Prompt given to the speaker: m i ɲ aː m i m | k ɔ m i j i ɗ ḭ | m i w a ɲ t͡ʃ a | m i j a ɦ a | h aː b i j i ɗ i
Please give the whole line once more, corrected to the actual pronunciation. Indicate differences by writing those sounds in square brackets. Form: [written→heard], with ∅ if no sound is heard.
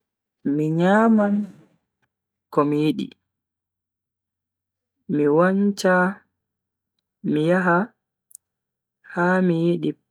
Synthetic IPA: m i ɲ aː m [i→a] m | k ɔ m i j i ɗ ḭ | m i w a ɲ t͡ʃ a | m i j a ɦ a | h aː [b→m] i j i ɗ i